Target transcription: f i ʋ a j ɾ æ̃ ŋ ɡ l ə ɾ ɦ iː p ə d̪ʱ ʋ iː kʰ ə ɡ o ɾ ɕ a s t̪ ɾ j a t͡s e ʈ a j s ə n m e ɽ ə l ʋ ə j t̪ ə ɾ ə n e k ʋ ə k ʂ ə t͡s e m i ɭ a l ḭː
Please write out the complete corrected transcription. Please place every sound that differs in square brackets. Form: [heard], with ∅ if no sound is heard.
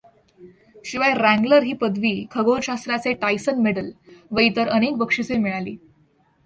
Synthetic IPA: [ɕ] i ʋ a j ɾ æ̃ ŋ ɡ l ə ɾ ɦ iː p ə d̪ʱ ʋ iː kʰ ə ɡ o ɾ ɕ a s t̪ ɾ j a t͡s e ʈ a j s ə n m e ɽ ə l ʋ ə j t̪ ə ɾ ə n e k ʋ ə k ʂ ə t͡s e m i ɭ a l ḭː